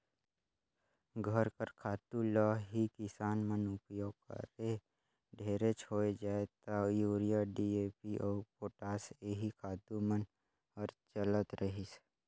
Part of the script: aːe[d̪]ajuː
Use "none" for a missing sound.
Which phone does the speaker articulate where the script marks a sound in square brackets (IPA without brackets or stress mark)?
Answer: t̪